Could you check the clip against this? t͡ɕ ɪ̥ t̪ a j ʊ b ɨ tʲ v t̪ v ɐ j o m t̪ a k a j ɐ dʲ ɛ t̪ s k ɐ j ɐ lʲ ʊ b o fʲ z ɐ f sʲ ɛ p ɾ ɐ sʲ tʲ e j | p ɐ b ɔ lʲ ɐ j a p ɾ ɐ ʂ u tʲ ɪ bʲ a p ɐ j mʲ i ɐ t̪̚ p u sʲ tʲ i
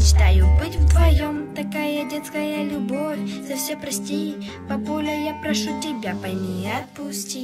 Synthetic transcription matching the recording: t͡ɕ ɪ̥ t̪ a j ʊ b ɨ tʲ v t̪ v ɐ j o m t̪ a k a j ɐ dʲ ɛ t̪ s k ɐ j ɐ lʲ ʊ b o fʲ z ɐ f sʲ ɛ p ɾ ɐ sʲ tʲ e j | p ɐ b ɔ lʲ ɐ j a p ɾ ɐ ʂ u tʲ ɪ bʲ a p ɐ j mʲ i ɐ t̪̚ p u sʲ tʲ i